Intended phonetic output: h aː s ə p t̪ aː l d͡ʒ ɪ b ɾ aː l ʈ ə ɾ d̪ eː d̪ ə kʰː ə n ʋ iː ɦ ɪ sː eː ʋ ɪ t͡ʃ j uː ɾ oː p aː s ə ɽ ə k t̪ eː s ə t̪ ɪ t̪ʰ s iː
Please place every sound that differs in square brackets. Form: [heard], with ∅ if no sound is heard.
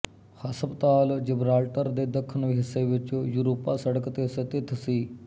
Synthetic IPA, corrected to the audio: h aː s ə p t̪ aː l d͡ʒ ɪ b ɾ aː l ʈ ə ɾ d̪ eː d̪ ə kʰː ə n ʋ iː ɦ ɪ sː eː ʋ ɪ t͡ʃ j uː ɾ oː p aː s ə ɽ ə k t̪ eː s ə t̪ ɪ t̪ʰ s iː